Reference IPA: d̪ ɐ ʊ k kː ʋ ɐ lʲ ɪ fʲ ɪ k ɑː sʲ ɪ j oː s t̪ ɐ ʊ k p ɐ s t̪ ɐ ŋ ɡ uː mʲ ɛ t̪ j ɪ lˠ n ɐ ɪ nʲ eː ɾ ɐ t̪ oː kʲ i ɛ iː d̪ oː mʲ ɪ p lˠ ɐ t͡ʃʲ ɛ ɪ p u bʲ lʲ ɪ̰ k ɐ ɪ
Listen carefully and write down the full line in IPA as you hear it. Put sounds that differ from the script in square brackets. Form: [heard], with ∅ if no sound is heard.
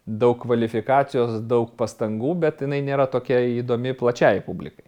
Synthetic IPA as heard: d̪ ɐ ʊ k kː ʋ ɐ lʲ ɪ fʲ ɪ k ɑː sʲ ɪ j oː s [d̪] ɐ ʊ k p ɐ s t̪ ɐ ŋ ɡ uː [bʲ] ɛ t̪ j ɪ [∅] n ɐ ɪ nʲ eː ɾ ɐ t̪ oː kʲ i ɛ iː d̪ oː mʲ ɪ p lˠ ɐ t͡ʃʲ ɛ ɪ p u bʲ lʲ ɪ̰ k ɐ ɪ